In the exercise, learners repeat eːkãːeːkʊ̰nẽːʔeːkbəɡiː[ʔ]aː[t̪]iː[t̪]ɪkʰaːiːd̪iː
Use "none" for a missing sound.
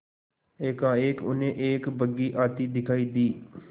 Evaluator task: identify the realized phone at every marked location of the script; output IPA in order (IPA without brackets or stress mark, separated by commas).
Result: ʔ, t̪, d̪